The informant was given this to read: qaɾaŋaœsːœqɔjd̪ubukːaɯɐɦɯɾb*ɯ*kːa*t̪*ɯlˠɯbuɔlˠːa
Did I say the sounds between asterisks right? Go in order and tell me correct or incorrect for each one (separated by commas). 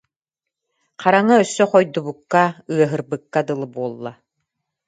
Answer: correct, incorrect